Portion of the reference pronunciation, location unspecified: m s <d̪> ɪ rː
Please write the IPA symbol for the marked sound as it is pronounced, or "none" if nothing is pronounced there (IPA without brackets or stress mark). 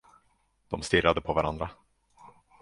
t̪